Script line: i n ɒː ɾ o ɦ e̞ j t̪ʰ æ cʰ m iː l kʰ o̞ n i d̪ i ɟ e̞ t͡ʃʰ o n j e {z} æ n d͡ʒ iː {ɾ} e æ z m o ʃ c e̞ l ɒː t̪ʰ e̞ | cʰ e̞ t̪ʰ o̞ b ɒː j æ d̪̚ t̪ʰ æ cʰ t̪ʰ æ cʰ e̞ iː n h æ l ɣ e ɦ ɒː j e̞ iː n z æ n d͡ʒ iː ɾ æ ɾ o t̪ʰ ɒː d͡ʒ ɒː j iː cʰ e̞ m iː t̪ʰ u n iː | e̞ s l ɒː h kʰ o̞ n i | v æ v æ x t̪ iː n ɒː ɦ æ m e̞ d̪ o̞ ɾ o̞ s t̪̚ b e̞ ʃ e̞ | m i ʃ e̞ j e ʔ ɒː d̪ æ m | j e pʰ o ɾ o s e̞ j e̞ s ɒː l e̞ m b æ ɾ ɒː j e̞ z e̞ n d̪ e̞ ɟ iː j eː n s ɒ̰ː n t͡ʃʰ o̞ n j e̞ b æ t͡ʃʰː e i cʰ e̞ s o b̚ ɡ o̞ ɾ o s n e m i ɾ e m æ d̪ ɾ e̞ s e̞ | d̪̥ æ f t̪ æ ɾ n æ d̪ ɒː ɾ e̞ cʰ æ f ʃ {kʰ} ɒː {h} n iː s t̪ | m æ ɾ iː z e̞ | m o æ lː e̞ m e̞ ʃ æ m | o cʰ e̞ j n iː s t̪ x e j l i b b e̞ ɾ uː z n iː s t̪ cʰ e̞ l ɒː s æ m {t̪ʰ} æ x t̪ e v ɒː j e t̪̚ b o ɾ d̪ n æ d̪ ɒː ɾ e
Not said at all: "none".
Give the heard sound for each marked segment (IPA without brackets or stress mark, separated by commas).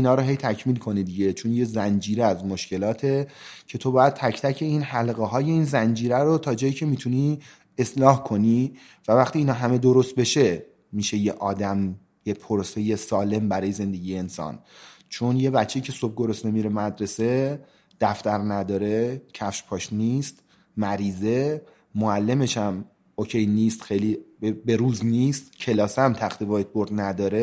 z, ɾ, pʰ, ʃ, t̪ʰ